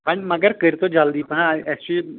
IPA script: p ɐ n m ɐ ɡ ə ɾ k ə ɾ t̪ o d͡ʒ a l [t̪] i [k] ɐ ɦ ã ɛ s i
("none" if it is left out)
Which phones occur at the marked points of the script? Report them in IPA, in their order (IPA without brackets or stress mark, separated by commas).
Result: d̪, p